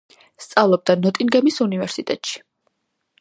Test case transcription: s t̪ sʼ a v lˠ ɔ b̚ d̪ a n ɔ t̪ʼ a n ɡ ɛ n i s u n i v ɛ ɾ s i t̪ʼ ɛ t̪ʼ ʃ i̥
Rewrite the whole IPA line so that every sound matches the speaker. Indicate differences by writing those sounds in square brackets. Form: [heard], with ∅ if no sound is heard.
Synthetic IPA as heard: s t̪ sʼ a v lˠ ɔ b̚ d̪ a n ɔ t̪ʼ [i] n ɡ ɛ [m] i s u n i v ɛ ɾ s i t̪ʼ ɛ t̪ʼ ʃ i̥